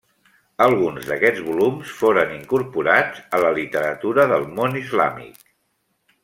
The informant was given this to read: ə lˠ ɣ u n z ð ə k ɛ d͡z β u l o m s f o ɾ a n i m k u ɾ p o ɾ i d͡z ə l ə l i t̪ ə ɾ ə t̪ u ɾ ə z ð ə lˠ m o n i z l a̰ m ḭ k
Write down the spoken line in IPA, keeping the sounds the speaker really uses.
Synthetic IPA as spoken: ə lˠ ɣ u n z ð ə k ɛ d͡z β u l u m s f o ɾ ə n i ŋ k u ɾ p u ɾ a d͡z ə l ə l i t̪ ə ɾ ə t̪ u ɾ ə ð ə lˠ m o n i z l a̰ m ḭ k